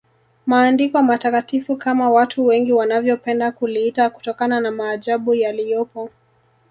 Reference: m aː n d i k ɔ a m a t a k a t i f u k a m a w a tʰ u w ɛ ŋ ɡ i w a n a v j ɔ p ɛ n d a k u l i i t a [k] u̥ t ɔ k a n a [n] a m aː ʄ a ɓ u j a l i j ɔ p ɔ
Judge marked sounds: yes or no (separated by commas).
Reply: yes, yes